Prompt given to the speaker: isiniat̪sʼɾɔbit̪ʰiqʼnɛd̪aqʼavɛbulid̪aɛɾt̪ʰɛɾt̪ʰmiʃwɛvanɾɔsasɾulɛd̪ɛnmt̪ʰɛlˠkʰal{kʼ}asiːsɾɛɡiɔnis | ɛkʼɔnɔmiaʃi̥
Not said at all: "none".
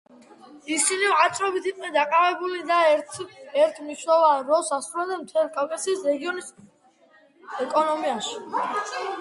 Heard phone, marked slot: kʼ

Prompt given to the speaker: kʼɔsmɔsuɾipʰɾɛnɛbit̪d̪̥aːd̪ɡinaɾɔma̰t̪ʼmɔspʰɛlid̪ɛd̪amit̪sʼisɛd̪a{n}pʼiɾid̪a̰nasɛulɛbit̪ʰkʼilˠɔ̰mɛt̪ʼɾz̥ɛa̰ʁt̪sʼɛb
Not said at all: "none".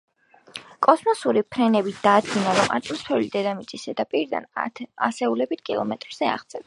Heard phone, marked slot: none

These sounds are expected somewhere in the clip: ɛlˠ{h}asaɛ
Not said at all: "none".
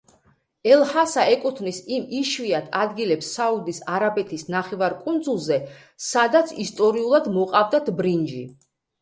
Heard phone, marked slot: h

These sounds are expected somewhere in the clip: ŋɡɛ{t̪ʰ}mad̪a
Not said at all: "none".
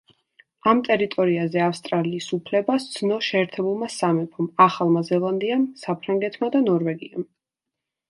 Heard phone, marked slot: t̪ʰ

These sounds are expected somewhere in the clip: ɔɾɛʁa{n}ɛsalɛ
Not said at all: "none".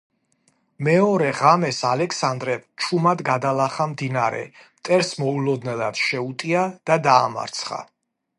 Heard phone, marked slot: m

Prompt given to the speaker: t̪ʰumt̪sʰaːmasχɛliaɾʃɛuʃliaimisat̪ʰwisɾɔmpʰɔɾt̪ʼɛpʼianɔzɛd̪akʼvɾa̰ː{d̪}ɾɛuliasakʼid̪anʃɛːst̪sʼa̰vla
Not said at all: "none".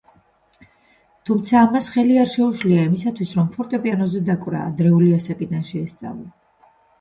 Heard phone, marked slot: d̪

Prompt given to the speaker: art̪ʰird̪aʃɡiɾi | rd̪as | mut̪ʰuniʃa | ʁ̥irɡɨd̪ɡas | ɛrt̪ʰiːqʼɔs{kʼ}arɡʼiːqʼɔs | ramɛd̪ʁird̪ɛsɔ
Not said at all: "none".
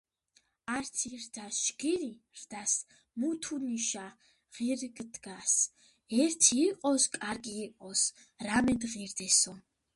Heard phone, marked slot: kʼ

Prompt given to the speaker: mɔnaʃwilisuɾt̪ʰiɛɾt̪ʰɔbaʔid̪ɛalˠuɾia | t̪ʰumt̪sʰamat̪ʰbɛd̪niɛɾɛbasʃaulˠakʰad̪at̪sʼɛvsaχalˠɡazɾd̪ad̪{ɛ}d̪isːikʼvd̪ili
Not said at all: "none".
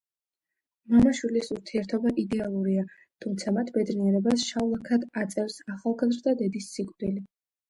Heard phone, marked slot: ɛ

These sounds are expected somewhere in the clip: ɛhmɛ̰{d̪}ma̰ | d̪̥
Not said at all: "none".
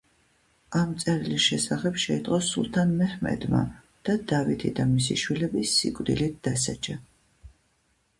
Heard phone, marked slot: d̪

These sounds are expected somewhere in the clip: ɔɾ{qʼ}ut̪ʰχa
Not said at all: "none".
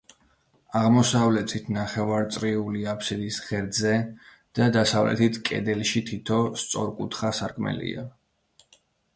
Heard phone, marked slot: kʼ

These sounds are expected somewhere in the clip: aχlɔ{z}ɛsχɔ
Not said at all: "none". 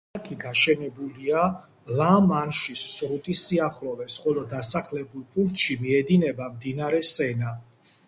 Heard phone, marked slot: v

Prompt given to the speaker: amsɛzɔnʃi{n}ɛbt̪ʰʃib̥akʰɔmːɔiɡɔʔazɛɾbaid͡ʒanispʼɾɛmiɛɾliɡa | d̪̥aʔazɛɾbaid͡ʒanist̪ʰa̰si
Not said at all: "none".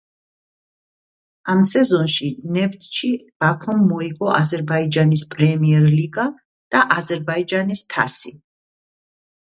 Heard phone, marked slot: n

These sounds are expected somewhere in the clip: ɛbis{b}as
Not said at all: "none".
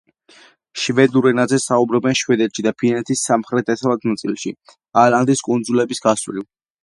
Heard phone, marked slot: ɡ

